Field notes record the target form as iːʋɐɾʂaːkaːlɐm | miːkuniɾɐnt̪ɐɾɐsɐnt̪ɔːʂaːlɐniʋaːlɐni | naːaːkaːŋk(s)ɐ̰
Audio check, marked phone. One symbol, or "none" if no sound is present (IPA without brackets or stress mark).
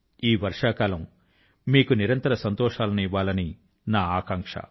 ʂ